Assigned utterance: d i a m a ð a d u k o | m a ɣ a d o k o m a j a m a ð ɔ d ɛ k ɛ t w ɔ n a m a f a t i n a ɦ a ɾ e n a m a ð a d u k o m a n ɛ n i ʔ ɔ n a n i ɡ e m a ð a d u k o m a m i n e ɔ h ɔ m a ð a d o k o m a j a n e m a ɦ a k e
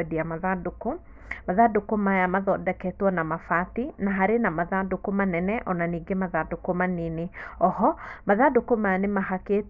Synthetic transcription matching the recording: d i a m a ð a d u k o | m a ð a d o k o m a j a m a ð ɔ d ɛ k ɛ t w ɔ n a m a f a t i n a ɦ a ɾ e n a m a ð a d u k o m a n ɛ n ɛ ʔ ɔ n a n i ɡ e m a ð a d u k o m a n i n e ɔ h ɔ m a ð a d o k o m a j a n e m a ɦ a k e